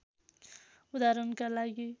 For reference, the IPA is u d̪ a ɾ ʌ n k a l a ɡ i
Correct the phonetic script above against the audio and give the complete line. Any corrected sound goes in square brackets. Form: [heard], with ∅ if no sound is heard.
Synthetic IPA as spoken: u d̪ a ɾ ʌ n k a l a ɡ i